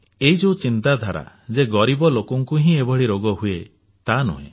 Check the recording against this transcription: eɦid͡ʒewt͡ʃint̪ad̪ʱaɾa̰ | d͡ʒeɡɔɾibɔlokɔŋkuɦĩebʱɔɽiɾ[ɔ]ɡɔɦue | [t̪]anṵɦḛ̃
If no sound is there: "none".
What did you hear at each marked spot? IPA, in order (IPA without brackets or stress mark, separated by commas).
o, t̪